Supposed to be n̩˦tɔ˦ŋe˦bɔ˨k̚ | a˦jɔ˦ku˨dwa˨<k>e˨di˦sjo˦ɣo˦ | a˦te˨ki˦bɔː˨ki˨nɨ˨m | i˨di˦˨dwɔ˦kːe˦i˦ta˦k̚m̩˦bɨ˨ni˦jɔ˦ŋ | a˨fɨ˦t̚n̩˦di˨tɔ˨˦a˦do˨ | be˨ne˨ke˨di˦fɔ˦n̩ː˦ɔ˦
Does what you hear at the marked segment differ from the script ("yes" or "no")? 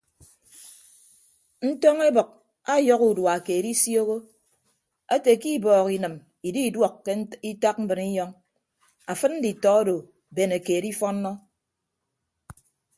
no